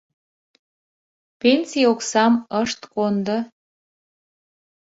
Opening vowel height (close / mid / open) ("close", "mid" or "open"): mid